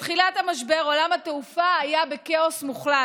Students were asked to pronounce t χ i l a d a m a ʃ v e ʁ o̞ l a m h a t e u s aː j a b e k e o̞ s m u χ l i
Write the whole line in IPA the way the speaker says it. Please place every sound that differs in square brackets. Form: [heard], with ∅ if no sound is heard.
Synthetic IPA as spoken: t χ i l a [t] a m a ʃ [b] e ʁ o̞ l a m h a t e u [f] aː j a b e k e o̞ s m u χ l [a]